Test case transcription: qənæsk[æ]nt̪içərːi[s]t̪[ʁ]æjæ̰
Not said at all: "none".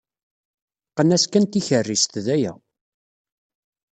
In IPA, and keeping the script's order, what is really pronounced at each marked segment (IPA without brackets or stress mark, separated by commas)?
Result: æ, s, ð